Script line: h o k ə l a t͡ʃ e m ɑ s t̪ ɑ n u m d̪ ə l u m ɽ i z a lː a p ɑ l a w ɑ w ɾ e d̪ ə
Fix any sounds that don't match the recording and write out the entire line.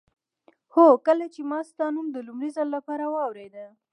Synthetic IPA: h o k ə l a t͡ʃ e m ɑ s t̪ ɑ n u m d̪ ə l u m ɾ i z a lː a p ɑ ɾ a w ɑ w ɾ e d̪ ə